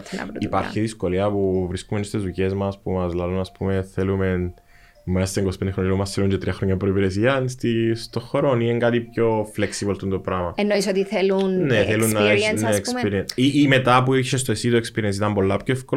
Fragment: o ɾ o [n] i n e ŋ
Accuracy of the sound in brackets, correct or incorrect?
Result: correct